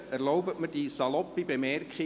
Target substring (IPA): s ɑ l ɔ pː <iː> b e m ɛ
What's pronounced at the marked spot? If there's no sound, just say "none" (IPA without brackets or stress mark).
i